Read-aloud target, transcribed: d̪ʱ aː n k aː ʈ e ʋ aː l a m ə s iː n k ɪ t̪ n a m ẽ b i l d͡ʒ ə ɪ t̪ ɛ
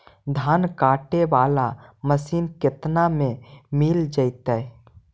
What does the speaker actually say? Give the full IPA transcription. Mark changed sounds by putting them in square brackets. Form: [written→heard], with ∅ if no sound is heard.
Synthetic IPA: d̪ʱ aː n k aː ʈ e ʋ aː l a m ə s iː n k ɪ t̪ n a m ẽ [b→m] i l d͡ʒ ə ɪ t̪ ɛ